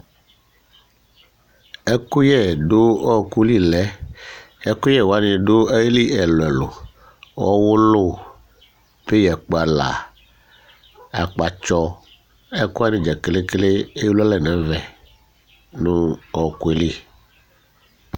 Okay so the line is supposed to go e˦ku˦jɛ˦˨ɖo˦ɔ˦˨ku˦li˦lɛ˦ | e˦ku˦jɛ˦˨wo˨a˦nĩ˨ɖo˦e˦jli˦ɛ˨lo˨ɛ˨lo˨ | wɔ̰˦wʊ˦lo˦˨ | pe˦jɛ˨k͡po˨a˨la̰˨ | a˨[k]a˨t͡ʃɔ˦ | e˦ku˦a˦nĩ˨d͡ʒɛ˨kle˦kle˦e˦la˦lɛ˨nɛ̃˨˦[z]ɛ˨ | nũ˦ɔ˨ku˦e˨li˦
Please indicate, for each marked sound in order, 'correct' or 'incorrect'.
incorrect, incorrect

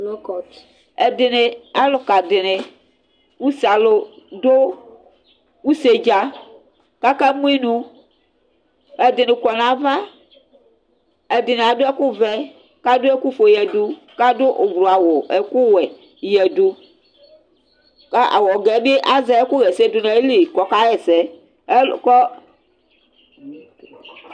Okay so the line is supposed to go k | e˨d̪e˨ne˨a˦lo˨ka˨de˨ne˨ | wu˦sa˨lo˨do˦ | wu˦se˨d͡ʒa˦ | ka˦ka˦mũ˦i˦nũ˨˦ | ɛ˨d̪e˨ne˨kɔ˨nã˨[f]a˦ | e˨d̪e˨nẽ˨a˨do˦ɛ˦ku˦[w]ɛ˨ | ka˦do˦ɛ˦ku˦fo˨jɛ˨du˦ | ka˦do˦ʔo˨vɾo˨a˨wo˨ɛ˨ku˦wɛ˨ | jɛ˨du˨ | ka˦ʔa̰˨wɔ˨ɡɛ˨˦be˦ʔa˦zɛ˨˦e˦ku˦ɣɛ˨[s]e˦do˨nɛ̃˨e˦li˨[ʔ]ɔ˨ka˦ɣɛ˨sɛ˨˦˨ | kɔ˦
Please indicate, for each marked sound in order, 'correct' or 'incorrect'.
incorrect, incorrect, correct, incorrect

